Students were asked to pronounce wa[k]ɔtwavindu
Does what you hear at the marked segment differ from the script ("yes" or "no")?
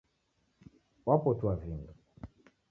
yes